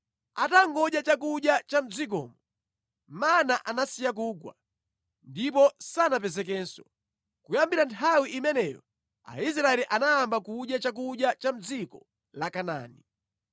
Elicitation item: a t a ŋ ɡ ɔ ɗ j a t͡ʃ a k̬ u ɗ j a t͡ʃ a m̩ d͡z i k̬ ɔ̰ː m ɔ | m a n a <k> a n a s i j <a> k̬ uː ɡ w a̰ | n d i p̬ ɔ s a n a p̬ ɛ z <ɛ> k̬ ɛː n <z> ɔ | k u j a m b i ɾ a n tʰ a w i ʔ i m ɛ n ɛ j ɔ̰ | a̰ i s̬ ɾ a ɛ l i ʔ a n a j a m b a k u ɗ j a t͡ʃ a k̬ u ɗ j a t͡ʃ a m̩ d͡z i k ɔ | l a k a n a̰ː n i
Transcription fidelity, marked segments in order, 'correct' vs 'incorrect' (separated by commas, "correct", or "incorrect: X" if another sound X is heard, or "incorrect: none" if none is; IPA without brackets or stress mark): incorrect: ʔ, correct, correct, incorrect: s